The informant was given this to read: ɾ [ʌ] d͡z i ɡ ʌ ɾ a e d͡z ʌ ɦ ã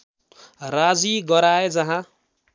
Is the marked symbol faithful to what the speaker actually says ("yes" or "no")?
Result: no